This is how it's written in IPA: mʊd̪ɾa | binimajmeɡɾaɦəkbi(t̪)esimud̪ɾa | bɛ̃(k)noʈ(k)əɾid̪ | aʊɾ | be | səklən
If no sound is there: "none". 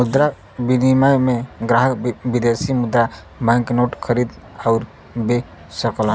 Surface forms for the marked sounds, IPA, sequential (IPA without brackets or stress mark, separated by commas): d̪, k, kʰ